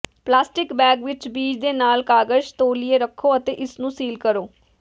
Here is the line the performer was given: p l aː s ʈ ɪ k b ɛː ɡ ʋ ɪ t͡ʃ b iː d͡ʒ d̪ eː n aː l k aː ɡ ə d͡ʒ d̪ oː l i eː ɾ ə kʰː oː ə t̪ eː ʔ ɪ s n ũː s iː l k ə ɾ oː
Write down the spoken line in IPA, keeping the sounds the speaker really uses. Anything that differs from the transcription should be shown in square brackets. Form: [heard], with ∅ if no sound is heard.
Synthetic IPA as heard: p l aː s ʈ ɪ k b ɛː ɡ ʋ ɪ t͡ʃ b iː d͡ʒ d̪ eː n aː l k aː ɡ ə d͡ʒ [t̪] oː l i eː ɾ ə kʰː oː ə t̪ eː ʔ ɪ s n ũː s iː l k ə ɾ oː